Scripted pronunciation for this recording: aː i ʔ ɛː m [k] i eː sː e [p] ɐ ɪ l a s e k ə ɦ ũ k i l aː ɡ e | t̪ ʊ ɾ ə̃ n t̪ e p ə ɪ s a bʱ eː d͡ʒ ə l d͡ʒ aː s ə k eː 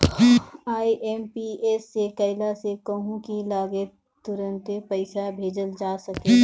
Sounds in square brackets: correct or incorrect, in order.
incorrect: p, incorrect: k

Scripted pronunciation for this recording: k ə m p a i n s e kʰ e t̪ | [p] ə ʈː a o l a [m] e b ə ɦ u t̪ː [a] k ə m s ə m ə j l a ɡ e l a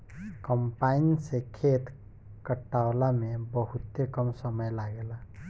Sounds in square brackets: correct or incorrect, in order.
incorrect: k, correct, incorrect: e

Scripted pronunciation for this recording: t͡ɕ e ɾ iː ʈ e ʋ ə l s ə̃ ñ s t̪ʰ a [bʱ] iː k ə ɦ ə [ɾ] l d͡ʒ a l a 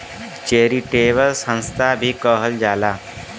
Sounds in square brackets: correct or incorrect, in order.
correct, incorrect: none

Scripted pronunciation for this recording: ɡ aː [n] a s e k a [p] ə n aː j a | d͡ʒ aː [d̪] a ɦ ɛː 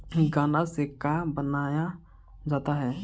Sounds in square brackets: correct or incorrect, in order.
correct, incorrect: b, incorrect: t̪

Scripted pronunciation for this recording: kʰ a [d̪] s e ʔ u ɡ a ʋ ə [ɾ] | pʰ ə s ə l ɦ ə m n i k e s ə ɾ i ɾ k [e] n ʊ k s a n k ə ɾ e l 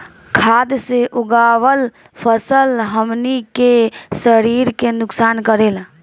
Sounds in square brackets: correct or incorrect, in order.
correct, incorrect: l, correct

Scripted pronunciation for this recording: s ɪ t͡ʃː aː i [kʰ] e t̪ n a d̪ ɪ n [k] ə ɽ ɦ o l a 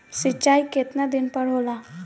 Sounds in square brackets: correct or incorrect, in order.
incorrect: k, incorrect: p

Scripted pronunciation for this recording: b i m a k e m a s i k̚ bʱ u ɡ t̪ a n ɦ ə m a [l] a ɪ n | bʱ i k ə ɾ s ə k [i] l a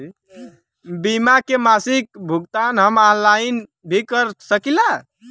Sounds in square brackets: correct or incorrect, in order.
correct, correct

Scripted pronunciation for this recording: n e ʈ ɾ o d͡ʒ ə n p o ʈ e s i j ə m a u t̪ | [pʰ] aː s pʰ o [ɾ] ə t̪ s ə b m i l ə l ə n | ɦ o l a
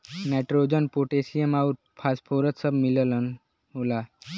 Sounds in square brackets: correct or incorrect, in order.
correct, correct

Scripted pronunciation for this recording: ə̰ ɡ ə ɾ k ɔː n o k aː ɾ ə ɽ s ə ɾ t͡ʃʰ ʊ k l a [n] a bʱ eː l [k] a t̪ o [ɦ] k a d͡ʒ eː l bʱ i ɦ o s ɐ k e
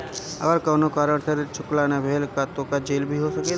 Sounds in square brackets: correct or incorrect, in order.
correct, correct, incorrect: none

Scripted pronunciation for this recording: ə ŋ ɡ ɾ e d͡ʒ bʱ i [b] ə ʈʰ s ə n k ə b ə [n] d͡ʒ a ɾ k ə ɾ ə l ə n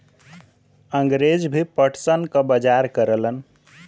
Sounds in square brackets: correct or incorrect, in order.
incorrect: p, incorrect: none

